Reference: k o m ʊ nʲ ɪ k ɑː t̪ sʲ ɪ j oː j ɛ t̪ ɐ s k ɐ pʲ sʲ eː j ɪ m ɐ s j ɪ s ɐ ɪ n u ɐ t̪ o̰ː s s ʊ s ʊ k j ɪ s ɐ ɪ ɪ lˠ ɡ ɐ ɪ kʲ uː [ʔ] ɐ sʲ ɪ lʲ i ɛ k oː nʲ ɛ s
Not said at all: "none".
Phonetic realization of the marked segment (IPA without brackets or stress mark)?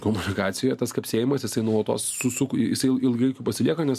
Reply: p